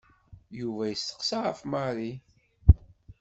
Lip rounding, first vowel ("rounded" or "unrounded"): rounded